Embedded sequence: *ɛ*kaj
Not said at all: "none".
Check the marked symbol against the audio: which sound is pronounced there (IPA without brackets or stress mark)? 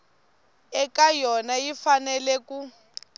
ɛ